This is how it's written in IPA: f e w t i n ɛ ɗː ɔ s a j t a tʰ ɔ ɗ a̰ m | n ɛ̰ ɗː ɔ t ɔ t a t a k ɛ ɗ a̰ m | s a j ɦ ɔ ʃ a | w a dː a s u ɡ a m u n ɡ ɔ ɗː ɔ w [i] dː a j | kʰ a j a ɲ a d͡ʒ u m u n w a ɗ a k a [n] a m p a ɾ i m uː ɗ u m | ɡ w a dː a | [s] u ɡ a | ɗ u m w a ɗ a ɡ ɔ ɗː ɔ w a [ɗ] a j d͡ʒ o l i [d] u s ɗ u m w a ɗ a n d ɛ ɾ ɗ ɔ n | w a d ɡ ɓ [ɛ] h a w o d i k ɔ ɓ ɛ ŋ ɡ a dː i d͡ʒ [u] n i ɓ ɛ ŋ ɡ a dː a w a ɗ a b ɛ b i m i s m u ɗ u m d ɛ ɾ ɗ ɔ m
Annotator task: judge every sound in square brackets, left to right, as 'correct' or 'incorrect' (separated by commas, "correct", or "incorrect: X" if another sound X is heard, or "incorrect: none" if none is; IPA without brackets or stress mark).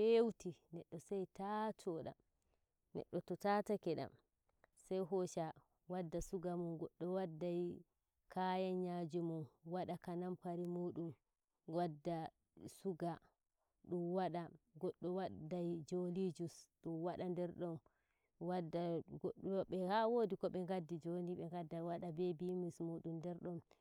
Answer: incorrect: a, correct, correct, incorrect: d, incorrect: d͡ʒ, correct, incorrect: o